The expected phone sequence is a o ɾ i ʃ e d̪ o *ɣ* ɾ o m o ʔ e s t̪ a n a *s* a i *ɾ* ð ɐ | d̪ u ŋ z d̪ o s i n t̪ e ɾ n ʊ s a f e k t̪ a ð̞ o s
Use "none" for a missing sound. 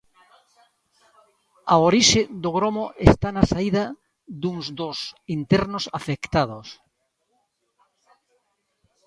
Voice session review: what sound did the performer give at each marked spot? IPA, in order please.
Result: ɣ, s, none

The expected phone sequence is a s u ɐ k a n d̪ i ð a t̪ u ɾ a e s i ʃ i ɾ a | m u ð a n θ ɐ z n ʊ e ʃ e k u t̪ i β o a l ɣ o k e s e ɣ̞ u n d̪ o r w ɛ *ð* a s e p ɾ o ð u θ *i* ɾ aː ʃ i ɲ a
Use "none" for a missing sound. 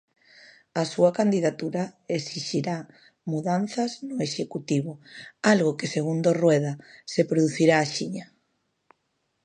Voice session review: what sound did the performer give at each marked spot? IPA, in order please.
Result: ð, i

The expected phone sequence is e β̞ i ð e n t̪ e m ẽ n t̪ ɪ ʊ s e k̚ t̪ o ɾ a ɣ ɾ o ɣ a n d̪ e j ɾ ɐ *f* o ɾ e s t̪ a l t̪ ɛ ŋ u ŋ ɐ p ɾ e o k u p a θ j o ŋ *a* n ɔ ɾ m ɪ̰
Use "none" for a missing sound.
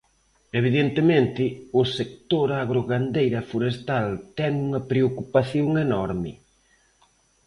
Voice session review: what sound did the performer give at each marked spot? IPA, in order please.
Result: f, e

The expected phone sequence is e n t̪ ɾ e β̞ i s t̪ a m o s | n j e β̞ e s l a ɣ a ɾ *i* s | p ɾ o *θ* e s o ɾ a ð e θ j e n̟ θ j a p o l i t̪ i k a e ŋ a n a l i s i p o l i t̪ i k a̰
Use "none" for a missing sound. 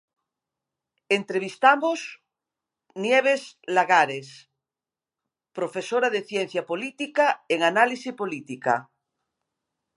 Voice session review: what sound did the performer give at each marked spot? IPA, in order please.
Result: e, f

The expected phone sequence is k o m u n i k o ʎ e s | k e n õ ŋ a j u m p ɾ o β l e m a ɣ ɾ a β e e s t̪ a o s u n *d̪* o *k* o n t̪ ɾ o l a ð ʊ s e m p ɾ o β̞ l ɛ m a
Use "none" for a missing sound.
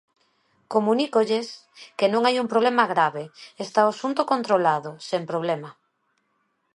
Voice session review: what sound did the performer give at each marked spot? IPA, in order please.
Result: t̪, k

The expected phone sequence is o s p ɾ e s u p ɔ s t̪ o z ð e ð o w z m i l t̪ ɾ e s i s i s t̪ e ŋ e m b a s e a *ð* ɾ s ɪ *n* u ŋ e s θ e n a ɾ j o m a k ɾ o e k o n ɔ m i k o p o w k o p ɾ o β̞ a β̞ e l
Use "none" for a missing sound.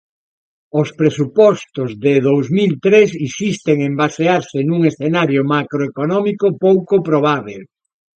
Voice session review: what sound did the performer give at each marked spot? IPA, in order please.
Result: none, n

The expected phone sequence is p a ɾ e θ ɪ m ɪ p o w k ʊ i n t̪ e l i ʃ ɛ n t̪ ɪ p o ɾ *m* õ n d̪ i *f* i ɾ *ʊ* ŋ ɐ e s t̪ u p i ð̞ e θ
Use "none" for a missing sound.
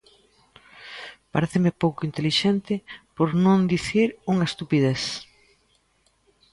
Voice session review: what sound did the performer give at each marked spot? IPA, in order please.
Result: n, θ, u

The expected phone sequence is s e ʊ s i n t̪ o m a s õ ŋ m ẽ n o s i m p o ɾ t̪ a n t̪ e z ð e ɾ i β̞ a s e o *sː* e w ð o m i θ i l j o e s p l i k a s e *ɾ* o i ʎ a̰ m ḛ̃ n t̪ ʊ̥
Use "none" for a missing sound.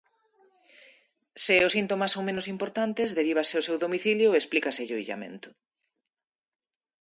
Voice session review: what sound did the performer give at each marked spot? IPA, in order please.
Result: s, ʎ

